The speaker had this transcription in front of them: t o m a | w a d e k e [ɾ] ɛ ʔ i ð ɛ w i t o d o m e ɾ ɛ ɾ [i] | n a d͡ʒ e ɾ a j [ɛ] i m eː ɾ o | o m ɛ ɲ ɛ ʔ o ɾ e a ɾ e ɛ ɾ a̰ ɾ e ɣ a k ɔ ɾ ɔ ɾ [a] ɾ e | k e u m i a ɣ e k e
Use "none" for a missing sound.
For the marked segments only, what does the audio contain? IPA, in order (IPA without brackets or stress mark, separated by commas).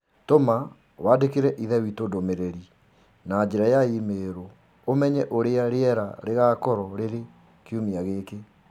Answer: ɾ, i, a, e